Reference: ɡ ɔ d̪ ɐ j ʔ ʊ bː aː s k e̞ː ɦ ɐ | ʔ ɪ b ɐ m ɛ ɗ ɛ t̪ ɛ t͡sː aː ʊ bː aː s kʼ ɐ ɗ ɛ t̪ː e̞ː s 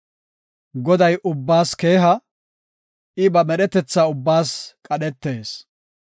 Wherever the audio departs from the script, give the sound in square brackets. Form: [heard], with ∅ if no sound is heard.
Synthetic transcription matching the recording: ɡ ɔ d̪ ɐ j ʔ ʊ bː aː s k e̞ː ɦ ɐ | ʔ ɪ b ɐ m ɛ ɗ ɛ t̪ ɛ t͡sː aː ʊ bː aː s kʼ ɐ ɗ ɛ t̪ː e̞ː s